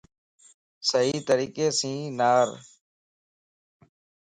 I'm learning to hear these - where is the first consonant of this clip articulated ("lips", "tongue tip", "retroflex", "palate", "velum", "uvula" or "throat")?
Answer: tongue tip